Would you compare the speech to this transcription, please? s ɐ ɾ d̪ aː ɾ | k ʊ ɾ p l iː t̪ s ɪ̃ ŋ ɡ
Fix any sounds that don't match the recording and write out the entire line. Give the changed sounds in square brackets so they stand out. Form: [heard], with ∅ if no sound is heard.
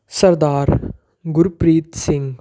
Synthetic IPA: s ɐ ɾ d̪ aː ɾ | [ɡ] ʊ ɾ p [ɾ] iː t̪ s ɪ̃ ŋ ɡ